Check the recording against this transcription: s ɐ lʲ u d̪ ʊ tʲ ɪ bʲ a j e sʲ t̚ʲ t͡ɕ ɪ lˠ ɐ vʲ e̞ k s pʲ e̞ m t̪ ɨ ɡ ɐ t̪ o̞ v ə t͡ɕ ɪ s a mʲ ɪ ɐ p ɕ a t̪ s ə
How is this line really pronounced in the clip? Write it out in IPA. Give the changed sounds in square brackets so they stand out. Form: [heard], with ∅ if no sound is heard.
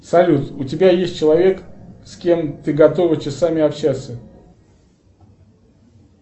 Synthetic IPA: s ɐ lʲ u [t̪] ʊ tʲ ɪ bʲ a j e sʲ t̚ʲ t͡ɕ ɪ lˠ ɐ vʲ e̞ k s [kʲ] e̞ m t̪ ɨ ɡ ɐ t̪ o̞ v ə t͡ɕ ɪ s a mʲ ɪ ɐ p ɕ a t̪ s ə